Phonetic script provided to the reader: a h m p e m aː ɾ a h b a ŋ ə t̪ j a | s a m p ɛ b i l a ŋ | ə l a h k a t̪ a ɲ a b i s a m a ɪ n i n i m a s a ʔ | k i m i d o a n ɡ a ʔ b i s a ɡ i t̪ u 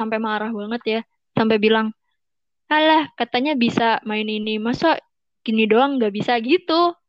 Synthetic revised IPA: a m p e m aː ɾ a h b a ŋ ə t̪ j a | s a m p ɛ b i l a ŋ | a l a h k a t̪ a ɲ a b i s a m a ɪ n i n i m a s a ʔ | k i n i d o a ŋ ɡ a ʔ b i s a ɡ i t̪ u